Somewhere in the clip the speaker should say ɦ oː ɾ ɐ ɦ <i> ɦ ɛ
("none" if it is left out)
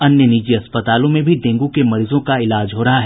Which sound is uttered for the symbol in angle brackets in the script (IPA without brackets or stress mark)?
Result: a